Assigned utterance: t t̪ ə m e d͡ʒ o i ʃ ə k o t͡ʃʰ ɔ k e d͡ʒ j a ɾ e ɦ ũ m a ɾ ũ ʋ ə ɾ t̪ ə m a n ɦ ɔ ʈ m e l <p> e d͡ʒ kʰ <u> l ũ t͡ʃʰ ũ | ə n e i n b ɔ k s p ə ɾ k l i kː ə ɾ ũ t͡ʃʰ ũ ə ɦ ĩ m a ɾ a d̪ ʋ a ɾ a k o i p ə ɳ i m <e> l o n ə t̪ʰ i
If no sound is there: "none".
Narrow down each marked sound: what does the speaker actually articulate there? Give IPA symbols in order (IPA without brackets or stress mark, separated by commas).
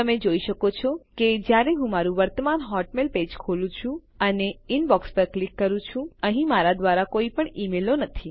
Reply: p, o, e